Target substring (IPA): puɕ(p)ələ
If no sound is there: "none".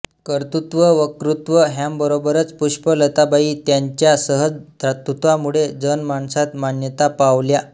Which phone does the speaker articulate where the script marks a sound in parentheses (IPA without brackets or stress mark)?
p